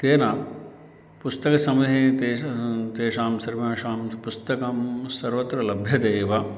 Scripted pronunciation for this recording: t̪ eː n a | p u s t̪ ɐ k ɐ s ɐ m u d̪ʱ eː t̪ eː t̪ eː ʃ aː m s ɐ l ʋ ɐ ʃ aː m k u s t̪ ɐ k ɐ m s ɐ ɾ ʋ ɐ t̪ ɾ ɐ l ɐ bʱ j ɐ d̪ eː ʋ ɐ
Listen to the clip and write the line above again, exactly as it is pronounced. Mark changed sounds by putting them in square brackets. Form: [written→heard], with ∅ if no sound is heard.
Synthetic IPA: t̪ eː n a | p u s t̪ ɐ k ɐ s ɐ m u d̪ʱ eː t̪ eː t̪ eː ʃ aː m s ɐ [l→ɾ] ʋ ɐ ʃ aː m [k→p] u s t̪ ɐ k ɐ m s ɐ ɾ ʋ ɐ t̪ ɾ ɐ l ɐ bʱ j ɐ d̪ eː ʋ ɐ